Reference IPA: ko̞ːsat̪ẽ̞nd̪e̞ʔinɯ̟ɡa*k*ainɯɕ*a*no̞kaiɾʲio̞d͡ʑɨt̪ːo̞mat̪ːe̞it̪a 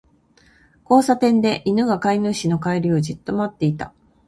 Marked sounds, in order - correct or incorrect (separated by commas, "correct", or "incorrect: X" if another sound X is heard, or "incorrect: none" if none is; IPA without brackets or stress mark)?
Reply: correct, incorrect: i